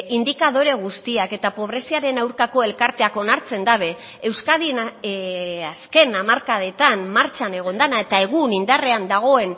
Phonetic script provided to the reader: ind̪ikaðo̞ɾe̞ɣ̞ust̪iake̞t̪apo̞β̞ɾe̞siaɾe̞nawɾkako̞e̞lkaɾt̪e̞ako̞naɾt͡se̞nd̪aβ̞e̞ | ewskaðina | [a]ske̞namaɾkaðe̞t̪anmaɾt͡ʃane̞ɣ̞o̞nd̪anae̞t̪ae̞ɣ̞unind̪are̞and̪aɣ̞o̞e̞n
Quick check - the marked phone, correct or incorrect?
correct